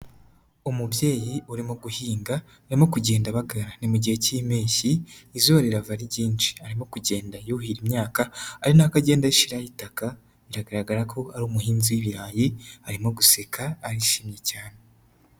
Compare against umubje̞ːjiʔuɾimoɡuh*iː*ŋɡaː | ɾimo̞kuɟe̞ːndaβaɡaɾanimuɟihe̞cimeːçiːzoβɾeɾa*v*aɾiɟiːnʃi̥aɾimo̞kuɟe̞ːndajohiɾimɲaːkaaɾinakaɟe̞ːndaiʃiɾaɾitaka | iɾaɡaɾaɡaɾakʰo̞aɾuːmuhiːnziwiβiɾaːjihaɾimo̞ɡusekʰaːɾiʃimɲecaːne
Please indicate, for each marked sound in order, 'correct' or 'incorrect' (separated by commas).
correct, correct